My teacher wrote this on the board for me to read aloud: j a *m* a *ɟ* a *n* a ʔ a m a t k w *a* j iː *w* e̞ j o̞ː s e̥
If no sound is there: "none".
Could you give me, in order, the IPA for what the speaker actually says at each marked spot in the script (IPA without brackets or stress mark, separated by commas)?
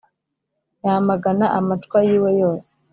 m, ɡ, n, a, w